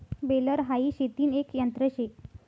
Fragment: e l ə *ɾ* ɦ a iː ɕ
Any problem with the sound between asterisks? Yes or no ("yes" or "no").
no